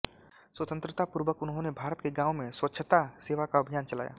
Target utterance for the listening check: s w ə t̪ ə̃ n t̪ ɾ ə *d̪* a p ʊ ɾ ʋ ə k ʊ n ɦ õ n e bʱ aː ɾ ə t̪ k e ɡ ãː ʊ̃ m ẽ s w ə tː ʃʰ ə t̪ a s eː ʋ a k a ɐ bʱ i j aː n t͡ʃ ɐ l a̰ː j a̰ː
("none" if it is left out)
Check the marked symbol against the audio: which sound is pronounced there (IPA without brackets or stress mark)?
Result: t̪